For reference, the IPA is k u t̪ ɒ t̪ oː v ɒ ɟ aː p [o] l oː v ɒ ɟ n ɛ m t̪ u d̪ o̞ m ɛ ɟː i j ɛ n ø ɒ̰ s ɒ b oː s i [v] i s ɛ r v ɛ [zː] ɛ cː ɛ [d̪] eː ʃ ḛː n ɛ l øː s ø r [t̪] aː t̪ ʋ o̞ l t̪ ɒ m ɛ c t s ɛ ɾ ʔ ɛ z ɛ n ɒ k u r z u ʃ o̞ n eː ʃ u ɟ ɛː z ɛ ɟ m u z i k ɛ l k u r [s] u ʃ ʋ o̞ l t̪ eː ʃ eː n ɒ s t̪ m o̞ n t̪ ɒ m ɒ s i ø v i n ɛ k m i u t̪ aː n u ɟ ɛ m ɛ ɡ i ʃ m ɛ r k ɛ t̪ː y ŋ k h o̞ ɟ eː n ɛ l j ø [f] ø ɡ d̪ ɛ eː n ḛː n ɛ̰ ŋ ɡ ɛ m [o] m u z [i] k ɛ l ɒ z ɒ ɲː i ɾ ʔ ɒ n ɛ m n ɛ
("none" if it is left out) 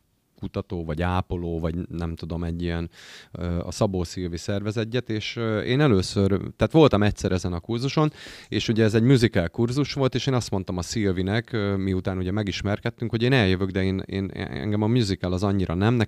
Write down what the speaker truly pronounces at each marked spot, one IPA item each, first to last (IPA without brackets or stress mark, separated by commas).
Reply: o, v, z, t̪, t̪, z, v, ɒ, i